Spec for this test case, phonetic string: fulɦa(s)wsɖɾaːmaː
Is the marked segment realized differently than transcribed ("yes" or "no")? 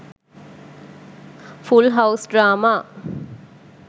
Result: yes